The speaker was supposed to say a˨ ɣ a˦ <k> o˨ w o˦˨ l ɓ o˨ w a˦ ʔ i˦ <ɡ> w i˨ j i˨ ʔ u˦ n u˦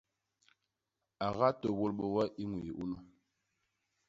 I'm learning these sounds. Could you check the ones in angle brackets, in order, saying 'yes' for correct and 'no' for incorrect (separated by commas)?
no, no